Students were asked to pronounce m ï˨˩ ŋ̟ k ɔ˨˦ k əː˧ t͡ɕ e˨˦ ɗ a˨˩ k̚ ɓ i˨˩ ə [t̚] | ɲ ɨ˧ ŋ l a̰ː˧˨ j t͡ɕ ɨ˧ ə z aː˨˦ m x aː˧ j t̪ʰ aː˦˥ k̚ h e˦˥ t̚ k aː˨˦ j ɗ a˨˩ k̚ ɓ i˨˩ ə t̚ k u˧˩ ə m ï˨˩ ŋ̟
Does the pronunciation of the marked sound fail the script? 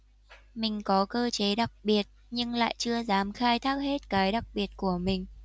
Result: no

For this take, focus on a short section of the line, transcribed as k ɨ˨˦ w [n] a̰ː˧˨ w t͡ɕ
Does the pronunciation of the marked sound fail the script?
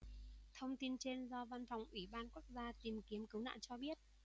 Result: no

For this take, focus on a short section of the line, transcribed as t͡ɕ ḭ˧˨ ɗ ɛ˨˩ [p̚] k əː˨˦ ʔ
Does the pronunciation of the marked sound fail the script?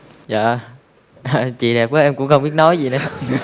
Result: no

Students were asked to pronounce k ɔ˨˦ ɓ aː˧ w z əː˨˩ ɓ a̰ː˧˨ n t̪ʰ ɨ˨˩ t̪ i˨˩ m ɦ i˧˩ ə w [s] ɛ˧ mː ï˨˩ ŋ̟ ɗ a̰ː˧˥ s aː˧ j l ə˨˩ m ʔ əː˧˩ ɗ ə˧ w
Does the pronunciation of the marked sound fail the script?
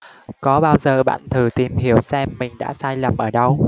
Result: no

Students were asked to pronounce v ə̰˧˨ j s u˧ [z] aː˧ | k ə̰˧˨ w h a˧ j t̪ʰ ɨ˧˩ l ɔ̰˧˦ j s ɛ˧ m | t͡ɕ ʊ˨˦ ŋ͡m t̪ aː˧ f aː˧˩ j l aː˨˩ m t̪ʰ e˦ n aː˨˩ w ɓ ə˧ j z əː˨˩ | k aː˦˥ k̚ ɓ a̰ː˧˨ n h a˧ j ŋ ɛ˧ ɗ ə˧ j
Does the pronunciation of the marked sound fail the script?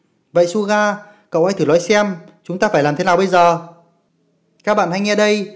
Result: yes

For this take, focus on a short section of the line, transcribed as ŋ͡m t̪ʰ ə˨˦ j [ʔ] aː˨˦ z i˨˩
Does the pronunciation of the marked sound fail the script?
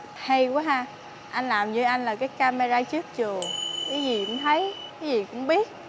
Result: yes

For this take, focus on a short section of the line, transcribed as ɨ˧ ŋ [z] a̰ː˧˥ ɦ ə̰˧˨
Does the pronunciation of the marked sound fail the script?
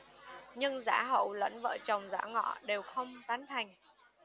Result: no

